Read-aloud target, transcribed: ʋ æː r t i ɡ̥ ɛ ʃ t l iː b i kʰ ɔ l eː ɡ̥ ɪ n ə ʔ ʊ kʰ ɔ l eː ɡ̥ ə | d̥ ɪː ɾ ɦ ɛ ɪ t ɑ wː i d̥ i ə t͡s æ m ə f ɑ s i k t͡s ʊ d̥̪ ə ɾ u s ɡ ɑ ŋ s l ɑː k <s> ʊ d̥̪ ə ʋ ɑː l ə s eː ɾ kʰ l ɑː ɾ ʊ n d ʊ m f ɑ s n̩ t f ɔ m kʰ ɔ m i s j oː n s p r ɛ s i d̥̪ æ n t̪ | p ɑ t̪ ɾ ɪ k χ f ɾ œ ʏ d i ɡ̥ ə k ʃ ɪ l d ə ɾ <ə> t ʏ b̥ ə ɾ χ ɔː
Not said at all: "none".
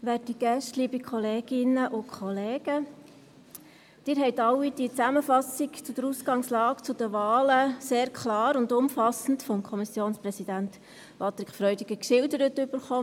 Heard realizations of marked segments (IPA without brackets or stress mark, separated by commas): t͡s, ə